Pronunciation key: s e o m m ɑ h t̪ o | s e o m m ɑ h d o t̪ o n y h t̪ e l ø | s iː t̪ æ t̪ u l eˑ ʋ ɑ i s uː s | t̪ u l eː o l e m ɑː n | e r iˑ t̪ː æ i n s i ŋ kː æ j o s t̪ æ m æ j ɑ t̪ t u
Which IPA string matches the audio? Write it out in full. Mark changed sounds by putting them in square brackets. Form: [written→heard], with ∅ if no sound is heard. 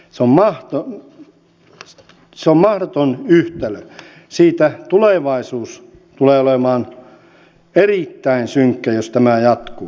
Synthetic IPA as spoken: s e o m m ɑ h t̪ o | s e o m m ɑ h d o t̪ o n y h t̪ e l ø | s iː t̪ æ t̪ u l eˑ ʋ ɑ i s uː s | t̪ u l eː o l e m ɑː n | e r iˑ t̪ː æ i n s [i→y] ŋ kː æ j o s t̪ æ m æ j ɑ t̪ [t→k] u